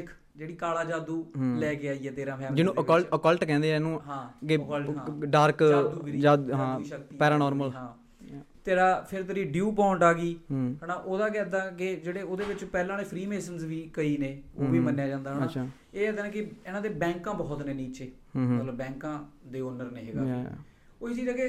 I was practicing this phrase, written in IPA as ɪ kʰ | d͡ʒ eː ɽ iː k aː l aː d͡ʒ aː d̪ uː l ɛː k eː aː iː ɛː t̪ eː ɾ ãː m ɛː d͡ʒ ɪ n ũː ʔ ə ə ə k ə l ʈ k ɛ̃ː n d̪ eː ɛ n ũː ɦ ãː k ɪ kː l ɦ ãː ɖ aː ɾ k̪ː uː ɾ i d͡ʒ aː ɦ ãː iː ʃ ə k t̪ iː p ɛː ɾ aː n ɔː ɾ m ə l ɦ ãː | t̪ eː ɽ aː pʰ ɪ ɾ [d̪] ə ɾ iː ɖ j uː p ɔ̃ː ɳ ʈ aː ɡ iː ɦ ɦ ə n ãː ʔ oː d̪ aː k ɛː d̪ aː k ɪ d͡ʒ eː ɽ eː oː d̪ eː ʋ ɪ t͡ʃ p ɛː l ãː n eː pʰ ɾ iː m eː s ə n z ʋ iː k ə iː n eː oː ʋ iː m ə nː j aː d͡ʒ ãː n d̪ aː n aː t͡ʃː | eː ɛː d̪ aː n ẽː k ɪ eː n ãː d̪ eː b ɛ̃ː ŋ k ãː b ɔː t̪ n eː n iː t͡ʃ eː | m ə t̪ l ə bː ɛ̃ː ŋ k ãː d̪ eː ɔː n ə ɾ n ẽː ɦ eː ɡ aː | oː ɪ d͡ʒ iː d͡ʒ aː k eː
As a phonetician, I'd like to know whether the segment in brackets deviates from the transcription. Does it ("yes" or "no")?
yes